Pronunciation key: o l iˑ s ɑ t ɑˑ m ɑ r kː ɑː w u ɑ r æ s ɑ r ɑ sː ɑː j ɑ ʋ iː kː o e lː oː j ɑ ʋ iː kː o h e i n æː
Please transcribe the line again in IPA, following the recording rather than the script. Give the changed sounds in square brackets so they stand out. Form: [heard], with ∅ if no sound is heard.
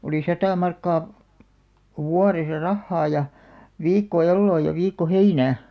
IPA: o l iˑ s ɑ t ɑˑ m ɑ r kː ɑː w u ɑ r [e] s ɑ r ɑ [hː] ɑː j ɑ ʋ iː kː o e lː oː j ɑ ʋ iː kː o h e i n æː